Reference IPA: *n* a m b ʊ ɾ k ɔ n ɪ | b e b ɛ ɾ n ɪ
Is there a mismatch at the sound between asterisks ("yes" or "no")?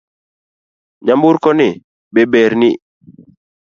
yes